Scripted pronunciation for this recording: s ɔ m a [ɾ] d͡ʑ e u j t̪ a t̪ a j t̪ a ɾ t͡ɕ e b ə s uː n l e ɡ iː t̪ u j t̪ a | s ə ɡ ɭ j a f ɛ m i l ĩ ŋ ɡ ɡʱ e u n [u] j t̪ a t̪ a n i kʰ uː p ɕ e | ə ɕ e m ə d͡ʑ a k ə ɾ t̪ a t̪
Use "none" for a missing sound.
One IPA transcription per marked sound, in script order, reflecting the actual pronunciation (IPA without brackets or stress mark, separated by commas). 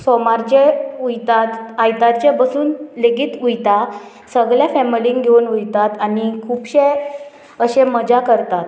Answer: ɾ, u